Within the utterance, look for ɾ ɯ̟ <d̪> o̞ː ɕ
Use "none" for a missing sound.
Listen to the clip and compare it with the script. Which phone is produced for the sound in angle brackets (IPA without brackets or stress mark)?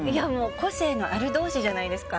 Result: d̪